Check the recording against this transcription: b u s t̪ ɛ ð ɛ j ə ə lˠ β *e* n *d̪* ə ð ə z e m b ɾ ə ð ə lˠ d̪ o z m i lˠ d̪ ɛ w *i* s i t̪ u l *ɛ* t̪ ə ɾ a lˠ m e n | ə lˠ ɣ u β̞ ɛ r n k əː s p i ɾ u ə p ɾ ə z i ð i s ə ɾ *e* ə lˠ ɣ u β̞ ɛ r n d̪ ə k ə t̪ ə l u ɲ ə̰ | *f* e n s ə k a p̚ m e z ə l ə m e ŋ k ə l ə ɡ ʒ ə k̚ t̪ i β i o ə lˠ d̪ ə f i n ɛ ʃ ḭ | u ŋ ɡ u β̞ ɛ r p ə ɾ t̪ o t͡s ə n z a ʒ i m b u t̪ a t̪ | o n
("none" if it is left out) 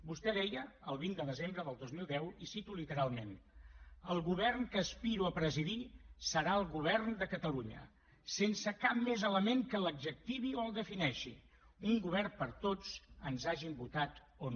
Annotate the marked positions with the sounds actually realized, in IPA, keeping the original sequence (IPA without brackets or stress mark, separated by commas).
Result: i, d̪, i, i, a, s